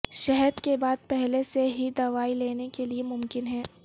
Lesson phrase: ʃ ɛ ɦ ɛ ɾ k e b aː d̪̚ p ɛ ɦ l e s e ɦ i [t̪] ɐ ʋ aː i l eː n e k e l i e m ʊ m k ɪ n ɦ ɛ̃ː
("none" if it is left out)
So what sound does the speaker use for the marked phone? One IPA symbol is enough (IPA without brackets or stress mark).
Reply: d̪